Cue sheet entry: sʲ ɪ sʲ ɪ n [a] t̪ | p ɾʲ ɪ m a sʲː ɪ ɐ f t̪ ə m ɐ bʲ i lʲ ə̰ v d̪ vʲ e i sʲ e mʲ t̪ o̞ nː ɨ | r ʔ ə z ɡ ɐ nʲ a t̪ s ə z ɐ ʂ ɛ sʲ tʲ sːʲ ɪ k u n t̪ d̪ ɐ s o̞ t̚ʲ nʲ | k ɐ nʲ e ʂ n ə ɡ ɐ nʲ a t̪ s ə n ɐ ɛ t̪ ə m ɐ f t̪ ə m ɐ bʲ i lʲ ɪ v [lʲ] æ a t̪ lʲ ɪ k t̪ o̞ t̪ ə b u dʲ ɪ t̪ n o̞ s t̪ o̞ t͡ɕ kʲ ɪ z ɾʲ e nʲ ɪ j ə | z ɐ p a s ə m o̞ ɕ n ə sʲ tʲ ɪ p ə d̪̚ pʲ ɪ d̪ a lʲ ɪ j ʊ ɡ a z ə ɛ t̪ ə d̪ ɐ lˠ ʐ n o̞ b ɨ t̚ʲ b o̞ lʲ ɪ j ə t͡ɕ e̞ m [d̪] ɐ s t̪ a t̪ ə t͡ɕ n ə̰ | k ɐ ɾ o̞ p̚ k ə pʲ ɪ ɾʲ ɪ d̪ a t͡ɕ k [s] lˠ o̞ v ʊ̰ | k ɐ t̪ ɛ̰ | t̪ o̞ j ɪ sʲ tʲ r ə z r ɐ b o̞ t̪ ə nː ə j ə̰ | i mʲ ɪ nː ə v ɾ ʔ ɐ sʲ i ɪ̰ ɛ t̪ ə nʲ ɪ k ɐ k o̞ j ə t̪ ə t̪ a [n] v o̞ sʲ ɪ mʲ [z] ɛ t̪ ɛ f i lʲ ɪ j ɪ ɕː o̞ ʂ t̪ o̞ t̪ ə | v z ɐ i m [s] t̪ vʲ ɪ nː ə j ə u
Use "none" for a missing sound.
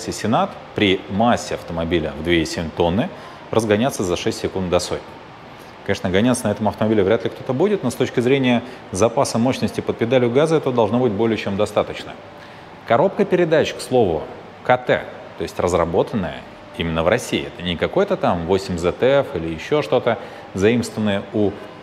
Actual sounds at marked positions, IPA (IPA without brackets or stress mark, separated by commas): a, ɾʲ, d̪, s, m, z, s